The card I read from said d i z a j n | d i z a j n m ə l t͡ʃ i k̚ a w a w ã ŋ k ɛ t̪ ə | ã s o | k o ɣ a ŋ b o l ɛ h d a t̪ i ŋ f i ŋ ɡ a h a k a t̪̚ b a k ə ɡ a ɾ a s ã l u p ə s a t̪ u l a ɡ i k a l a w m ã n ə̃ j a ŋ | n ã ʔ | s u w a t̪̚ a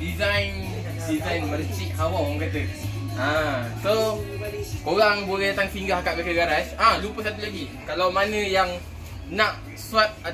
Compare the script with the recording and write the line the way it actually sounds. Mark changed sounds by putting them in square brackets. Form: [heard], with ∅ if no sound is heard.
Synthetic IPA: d i z a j n | d i z a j n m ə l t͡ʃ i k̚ a w a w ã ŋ k [a] t̪ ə | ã s o | k o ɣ a ŋ b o l ɛ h d a t̪ [a] ŋ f i ŋ ɡ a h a k a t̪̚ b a k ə ɡ a ɾ a s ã l u p ə s a t̪ u l a ɡ i k a l a w m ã n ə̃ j a ŋ | n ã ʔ | s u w a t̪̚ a